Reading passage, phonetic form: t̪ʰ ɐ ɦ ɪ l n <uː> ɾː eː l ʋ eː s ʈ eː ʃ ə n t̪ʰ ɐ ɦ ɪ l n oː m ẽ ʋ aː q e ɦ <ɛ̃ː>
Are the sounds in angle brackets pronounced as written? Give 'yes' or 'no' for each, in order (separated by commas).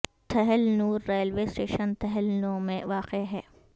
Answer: yes, no